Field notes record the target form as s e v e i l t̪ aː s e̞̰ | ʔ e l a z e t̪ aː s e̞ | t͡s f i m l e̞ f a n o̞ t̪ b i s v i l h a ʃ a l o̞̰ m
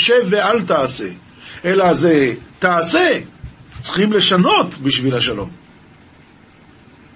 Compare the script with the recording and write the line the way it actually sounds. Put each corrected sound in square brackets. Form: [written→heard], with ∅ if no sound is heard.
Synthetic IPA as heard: [s→ʃ] e v e [i→a] l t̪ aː s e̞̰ | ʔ e l a z e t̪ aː s e̞ | t͡s [f→χ] i m l e̞ [f→ʃ] a n o̞ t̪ b i [s→ʃ] v i l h a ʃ a l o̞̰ m